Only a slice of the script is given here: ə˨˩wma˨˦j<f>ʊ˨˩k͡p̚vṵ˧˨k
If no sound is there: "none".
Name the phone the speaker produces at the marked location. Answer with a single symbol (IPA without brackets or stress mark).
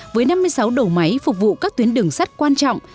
f